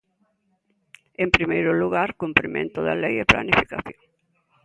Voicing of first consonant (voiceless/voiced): voiced